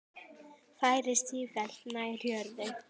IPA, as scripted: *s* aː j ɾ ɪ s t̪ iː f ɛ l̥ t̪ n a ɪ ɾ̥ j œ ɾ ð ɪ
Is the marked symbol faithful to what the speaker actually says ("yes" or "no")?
no